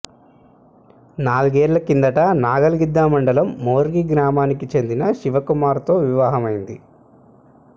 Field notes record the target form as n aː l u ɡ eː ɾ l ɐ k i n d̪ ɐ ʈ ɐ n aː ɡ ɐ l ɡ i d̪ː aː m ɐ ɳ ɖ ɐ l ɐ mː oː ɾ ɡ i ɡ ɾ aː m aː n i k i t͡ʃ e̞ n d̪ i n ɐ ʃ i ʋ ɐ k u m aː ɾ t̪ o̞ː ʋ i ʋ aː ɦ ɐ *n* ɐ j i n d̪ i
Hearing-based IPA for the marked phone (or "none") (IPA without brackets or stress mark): m